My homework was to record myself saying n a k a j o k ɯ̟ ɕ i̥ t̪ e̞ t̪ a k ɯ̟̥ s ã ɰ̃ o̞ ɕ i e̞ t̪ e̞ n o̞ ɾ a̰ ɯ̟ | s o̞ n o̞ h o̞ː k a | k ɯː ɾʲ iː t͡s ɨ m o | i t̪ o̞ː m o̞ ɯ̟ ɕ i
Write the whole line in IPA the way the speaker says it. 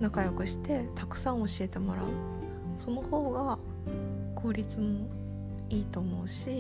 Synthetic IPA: n a k a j o k ɯ̟ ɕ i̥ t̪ e̞ t̪ a k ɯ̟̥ s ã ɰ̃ o̞ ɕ i e̞ t̪ e̞ m o̞ ɾ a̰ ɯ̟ | s o̞ n o̞ h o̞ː ɡ a | k ɯː ɾʲ i t͡s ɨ m o | iː t̪ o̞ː m o̞ ɯ̟ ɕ i